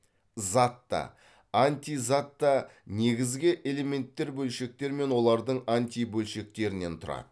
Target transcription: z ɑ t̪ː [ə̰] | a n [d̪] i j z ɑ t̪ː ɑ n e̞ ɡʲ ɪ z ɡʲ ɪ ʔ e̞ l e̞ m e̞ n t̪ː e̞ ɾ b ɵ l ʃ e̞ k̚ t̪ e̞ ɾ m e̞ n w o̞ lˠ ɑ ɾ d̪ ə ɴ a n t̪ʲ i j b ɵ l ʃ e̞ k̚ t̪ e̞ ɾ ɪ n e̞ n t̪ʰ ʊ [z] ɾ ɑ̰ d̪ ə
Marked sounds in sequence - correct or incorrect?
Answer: incorrect, incorrect, incorrect

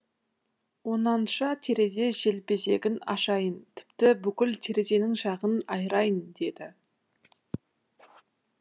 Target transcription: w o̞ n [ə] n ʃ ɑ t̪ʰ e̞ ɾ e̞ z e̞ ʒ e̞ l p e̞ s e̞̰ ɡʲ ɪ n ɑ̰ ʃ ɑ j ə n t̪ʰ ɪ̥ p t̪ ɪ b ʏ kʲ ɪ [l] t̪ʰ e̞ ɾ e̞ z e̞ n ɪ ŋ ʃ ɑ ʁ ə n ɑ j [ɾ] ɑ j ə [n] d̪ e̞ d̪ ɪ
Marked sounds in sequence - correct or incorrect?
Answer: incorrect, correct, correct, correct

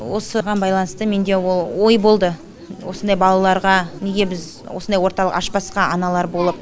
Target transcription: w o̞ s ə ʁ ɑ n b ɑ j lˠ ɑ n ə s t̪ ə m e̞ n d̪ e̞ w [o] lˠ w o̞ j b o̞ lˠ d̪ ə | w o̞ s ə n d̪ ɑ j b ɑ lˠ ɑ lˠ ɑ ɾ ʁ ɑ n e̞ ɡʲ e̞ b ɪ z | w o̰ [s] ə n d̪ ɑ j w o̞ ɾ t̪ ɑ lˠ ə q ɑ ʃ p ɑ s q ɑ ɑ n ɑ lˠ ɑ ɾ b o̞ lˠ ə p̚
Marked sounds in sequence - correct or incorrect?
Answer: correct, correct

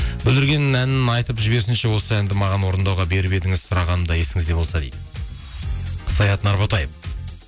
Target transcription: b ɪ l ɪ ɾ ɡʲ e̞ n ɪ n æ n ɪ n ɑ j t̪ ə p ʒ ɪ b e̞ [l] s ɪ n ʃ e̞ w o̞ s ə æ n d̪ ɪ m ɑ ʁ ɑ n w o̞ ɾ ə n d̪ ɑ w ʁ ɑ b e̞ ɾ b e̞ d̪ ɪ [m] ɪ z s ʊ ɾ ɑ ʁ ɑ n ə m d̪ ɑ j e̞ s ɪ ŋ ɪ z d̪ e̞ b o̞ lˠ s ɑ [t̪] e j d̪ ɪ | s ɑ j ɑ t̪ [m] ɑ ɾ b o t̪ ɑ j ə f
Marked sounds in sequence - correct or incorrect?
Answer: incorrect, incorrect, incorrect, incorrect

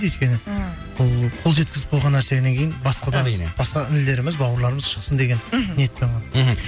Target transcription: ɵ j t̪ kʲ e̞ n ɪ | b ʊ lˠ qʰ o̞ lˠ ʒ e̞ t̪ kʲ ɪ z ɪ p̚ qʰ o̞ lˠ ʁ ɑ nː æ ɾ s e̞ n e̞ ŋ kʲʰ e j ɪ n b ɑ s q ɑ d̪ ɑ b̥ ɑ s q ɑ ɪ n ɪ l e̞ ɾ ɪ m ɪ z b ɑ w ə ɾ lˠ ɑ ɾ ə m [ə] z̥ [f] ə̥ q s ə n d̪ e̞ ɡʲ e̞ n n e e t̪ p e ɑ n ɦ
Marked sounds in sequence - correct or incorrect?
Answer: correct, incorrect

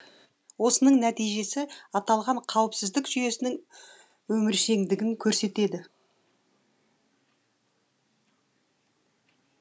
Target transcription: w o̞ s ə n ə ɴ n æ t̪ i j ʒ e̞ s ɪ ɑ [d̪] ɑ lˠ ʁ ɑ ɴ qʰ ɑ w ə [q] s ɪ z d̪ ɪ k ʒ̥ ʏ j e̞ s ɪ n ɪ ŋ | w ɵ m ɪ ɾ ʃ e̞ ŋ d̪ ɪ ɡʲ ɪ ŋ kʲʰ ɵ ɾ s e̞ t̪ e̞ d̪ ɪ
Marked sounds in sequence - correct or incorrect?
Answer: incorrect, incorrect

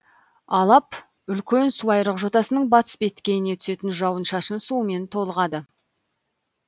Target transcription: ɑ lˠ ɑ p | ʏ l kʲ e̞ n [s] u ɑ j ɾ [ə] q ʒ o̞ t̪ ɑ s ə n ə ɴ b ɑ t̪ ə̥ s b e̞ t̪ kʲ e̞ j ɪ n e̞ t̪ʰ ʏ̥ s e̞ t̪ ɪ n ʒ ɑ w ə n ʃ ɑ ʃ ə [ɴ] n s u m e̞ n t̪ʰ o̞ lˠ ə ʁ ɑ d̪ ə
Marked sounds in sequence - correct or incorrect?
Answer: correct, correct, incorrect

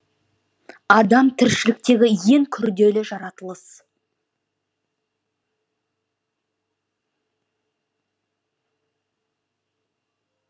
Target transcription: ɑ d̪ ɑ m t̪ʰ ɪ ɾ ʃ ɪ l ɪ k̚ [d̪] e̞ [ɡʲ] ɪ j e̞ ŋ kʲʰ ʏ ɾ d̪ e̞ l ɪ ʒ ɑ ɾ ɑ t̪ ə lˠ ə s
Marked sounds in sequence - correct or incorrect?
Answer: incorrect, correct

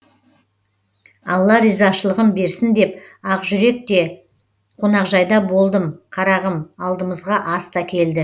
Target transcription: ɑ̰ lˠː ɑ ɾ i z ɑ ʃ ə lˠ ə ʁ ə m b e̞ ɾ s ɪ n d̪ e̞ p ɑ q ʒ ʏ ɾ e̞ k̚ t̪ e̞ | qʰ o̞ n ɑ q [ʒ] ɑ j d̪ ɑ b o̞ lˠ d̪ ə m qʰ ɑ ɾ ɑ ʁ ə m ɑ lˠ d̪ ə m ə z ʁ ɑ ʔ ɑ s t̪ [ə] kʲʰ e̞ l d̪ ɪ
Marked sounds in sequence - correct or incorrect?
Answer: correct, incorrect

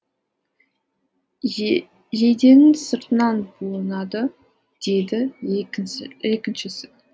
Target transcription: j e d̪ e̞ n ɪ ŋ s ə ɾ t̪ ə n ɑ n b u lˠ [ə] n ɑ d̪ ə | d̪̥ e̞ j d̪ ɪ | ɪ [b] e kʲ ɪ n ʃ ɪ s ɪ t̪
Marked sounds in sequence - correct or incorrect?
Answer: correct, incorrect

